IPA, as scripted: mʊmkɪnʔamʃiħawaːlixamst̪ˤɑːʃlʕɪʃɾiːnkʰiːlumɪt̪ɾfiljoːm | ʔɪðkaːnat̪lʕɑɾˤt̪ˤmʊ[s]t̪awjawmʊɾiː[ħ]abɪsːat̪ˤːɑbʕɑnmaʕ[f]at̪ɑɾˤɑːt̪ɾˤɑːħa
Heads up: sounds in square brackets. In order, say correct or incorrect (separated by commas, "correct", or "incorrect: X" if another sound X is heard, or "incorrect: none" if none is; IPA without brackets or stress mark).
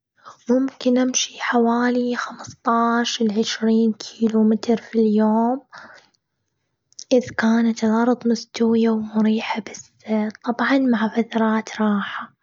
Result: correct, correct, correct